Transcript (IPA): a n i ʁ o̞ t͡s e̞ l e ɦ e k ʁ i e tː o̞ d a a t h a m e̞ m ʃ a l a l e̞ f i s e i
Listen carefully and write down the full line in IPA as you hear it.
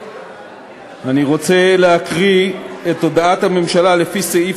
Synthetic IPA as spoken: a n i ʁ o̞ t͡s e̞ l e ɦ a k ʁ i e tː o̞ d a a t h a m e̞ m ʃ a l a l e̞ f i s e i